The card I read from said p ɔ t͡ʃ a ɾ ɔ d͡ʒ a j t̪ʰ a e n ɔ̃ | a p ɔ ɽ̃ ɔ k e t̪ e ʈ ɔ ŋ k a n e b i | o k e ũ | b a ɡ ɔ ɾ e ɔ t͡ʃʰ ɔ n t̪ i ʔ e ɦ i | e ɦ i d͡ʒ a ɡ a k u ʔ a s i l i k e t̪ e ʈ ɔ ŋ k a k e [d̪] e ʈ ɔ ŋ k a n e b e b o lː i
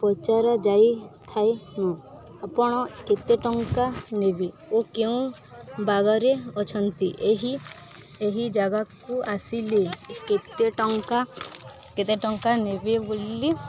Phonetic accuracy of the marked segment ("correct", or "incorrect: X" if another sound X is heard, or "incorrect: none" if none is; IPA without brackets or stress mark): incorrect: t̪